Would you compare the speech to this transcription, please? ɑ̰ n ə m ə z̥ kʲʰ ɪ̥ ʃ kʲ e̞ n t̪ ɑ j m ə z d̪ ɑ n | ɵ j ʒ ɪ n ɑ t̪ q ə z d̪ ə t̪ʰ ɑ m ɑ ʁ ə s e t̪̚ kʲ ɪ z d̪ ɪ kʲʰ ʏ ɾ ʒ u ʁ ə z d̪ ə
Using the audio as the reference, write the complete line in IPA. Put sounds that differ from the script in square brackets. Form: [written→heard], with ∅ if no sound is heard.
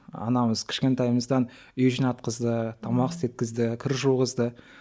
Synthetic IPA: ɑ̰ n [ə→ɑ] m ə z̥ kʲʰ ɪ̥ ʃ kʲ e̞ n t̪ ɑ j m ə z d̪ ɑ n | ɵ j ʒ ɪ n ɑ t̪ q ə z d̪ ə t̪ʰ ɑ m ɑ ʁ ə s e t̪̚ kʲ ɪ z d̪ ɪ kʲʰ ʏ ɾ ʒ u ʁ ə z d̪ ə